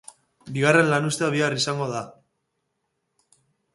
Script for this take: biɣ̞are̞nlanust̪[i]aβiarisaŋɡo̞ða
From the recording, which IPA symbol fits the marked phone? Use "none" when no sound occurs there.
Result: e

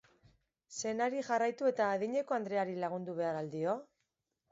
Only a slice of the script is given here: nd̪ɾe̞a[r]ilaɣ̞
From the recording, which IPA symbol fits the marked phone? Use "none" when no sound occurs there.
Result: ɾ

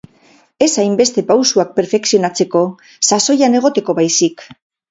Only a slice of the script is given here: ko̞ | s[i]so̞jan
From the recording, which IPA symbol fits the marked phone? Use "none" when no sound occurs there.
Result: a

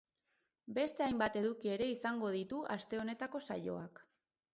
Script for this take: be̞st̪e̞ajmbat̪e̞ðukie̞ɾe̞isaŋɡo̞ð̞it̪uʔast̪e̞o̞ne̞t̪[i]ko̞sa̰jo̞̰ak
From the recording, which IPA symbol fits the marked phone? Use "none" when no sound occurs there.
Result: a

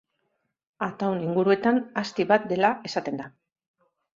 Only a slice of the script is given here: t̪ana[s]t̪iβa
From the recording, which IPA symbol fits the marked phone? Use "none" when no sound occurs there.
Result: s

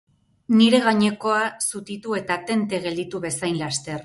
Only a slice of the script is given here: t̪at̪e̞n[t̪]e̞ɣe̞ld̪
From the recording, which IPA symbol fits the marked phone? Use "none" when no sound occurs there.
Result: t̪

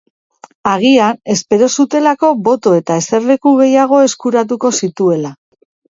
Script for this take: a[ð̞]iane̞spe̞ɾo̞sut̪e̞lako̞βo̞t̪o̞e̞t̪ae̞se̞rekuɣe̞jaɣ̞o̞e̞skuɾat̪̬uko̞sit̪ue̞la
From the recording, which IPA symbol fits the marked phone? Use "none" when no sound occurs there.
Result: ɣ̞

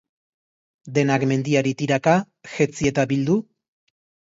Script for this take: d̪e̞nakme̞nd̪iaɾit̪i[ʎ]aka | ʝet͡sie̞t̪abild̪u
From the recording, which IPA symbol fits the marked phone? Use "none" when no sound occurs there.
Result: ɾ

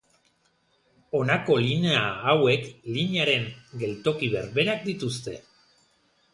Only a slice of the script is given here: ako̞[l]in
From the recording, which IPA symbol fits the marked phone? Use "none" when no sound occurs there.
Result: l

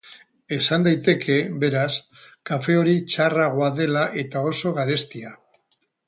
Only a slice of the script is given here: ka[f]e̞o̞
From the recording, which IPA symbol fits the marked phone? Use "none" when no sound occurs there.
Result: f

